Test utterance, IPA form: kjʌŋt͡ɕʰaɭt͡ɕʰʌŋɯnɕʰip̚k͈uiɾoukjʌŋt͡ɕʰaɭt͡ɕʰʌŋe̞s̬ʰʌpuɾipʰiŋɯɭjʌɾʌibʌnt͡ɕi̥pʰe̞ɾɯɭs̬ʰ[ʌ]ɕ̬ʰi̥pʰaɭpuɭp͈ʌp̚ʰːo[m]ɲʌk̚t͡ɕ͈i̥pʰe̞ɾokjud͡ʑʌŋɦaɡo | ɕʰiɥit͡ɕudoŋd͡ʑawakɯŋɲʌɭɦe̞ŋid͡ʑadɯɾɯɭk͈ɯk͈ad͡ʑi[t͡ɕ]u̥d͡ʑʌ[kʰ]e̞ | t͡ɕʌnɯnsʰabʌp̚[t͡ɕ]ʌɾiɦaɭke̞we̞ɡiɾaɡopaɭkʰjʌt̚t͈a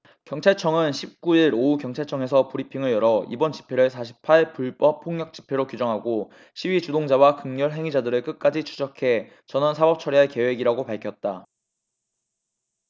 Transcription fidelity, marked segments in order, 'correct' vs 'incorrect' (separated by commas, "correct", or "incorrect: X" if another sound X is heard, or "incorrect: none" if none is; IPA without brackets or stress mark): incorrect: a, incorrect: ŋ, incorrect: t͡ɕʰ, correct, incorrect: t͡ɕʰ